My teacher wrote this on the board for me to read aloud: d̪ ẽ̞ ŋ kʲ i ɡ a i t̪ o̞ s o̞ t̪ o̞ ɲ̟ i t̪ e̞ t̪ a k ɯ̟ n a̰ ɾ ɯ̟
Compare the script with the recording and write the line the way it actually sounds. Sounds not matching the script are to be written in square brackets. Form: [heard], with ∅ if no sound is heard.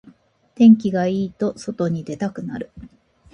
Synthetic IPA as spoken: [t̪] ẽ̞ ŋ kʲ i ɡ a [iː] t̪ o̞ s o̞ t̪ o̞ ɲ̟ i [d̪] e̞ t̪ a k ɯ̟ n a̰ ɾ ɯ̟

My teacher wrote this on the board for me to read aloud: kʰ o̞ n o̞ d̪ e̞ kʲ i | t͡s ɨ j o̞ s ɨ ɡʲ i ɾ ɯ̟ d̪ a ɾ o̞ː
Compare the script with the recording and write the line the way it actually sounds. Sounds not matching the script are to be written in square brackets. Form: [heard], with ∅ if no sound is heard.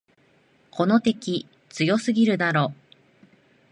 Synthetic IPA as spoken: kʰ o̞ n o̞ [t̪] e̞ kʲ i | t͡s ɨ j o̞ s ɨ ɡʲ i ɾ ɯ̟ d̪ a ɾ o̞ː

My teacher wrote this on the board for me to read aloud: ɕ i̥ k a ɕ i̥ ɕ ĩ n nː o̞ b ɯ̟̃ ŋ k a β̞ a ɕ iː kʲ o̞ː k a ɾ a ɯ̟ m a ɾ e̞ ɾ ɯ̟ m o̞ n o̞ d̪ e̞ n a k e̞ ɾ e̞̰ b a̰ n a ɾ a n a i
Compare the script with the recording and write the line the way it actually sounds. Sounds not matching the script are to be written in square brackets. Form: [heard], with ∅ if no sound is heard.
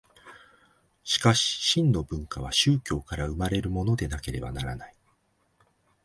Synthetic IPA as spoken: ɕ i̥ k a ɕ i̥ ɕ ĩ n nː o̞ b ɯ̟̃ ŋ k a β̞ a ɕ [ɨː] kʲ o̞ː k a ɾ a ɯ̟ m a ɾ e̞ ɾ ɯ̟ m o̞ n o̞ d̪ e̞ n a k e̞ ɾ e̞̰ b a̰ n a ɾ a n a i

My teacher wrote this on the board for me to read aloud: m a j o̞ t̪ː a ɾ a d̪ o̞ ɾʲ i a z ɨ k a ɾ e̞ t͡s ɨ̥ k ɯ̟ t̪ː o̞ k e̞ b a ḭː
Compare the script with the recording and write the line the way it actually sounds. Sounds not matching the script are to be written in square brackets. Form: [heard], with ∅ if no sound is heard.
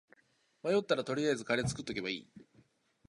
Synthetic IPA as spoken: m a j o̞ t̪ː a ɾ a [t̪] o̞ ɾʲ i a z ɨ k a ɾ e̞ t͡s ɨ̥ k ɯ̟ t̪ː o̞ k e̞ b a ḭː

